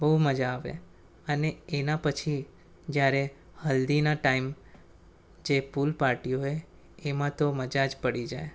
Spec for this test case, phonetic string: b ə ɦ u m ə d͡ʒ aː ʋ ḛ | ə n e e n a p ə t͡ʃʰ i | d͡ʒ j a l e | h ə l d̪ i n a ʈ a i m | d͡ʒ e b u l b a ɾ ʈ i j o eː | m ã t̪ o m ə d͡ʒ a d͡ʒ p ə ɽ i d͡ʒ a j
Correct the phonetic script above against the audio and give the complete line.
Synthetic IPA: b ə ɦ u m ə d͡ʒ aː ʋ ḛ | ə n e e n a p ə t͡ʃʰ i | d͡ʒ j a ɾ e | h ə l d̪ i n a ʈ a i m | d͡ʒ e p u l p a ɾ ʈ i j o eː | m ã t̪ o m ə d͡ʒ a d͡ʒ p ə ɽ i d͡ʒ a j